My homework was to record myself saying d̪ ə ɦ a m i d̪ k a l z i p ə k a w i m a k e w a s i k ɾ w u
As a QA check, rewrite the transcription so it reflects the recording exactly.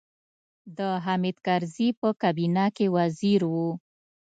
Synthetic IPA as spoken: d̪ ə ɦ a m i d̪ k a ɾ z i p ə k a b i n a k e w a z i ɾ w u

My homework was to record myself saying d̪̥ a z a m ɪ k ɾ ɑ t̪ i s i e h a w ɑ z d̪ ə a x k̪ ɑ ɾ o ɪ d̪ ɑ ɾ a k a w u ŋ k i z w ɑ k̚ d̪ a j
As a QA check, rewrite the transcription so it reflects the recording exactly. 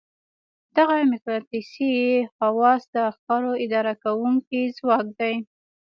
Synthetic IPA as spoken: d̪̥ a ɣ a m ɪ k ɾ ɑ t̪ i s i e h a w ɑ s d̪ ə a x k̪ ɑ ɾ o ɪ d̪ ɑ ɾ a k a w u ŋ k i z w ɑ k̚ d̪ a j

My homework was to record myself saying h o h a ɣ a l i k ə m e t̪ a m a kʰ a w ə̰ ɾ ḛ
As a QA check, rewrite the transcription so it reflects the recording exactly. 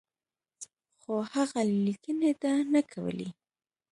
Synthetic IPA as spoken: x o h a ɣ a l i k ə n e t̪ a n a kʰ a w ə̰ l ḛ

